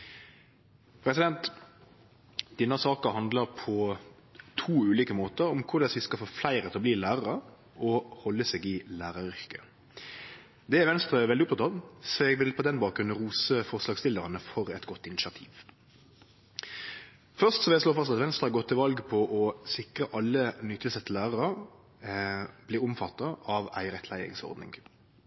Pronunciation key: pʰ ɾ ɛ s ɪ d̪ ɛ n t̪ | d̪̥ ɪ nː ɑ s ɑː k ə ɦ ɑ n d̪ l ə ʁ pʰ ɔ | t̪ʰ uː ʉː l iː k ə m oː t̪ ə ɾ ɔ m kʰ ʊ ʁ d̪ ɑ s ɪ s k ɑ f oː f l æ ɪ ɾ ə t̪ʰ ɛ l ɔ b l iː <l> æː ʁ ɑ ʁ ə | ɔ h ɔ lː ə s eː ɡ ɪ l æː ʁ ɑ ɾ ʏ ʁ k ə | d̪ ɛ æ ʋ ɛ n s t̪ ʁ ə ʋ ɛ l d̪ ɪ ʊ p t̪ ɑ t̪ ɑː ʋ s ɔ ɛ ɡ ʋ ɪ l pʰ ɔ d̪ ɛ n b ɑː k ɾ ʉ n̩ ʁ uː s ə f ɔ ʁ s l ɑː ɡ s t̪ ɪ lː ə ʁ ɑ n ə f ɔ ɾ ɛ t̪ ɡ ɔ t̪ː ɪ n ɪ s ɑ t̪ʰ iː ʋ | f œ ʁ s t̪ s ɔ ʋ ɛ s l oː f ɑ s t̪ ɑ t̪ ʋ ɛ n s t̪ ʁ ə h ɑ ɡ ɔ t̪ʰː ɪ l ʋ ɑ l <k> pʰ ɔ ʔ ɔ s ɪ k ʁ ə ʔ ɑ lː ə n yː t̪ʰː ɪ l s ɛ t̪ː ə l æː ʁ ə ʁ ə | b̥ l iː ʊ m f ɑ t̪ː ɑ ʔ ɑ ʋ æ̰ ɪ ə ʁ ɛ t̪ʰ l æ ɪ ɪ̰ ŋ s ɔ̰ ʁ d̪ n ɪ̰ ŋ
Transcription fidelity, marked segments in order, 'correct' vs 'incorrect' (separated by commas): correct, incorrect